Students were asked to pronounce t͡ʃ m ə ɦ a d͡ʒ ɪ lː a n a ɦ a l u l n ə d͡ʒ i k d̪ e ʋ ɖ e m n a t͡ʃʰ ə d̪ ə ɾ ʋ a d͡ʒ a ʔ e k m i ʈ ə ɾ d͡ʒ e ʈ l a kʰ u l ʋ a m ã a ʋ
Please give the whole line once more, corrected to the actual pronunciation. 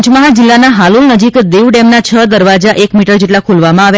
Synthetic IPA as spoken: t͡ʃ m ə ɦ a d͡ʒ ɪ lː a n a ɦ a l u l n ə d͡ʒ i k d̪ e ʋ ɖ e m n a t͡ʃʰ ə d̪ ə ɾ ʋ a d͡ʒ a ʔ e k m i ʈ ə ɾ d͡ʒ e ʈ l a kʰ u l ʋ a m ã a ʋ